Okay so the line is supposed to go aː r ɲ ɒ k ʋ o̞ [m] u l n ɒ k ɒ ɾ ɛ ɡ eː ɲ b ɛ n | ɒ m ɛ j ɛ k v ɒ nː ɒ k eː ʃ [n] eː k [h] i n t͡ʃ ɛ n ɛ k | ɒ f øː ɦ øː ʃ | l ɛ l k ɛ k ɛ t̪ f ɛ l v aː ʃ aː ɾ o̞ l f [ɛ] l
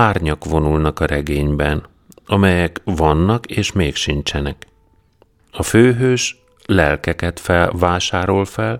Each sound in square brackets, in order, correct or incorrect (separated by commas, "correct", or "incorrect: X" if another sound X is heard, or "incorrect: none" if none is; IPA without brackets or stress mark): incorrect: n, incorrect: m, incorrect: ʃ, correct